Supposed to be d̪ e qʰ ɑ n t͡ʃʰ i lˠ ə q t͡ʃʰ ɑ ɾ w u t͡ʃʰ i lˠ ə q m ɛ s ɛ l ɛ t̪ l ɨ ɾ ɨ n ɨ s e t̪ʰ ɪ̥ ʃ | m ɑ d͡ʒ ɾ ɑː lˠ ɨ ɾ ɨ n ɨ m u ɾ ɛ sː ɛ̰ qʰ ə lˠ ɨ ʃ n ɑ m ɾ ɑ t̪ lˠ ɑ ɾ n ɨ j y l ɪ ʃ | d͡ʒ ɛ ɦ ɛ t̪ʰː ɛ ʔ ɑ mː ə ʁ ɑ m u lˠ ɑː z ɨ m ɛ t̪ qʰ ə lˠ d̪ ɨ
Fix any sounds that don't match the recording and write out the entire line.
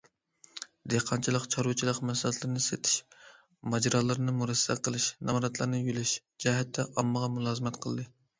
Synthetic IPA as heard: d̪ e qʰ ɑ n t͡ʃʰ i lˠ ə q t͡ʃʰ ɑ ɾ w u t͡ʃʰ i lˠ ə q m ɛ s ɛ l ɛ t̪ l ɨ ɾ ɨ n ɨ s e t̪ʰ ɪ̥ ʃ | m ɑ d͡ʒ ɾ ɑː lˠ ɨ ɾ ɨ n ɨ m u ɾ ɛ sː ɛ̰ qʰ ə lˠ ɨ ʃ n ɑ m ɾ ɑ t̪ lˠ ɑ ɾ n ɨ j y l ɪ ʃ | d͡ʒ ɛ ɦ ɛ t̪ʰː ɛ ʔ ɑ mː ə ʁ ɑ m u lˠ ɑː z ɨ m ɛ t̪ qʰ ə lˠ d̪ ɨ